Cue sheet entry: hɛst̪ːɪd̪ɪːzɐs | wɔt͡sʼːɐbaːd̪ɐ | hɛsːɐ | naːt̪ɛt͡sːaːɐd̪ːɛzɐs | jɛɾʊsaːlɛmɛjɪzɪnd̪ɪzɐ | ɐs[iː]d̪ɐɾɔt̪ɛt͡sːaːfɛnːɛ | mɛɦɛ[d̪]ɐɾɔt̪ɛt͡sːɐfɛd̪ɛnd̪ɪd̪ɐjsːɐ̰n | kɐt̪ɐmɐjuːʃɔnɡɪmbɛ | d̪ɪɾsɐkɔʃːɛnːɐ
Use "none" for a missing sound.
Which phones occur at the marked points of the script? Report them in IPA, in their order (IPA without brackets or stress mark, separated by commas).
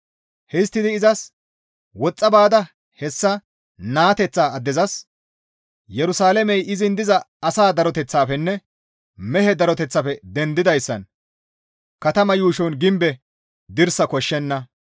aː, d̪